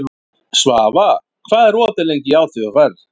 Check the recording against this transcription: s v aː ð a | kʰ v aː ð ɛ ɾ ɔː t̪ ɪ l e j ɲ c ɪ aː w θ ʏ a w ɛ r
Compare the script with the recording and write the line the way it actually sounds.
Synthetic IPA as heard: s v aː v a | kʰ v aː ð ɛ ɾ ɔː t̪ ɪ l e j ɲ c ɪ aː w θ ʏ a v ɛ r